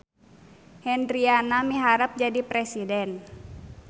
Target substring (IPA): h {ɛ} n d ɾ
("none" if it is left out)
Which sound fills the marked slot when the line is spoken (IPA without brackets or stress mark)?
ɛ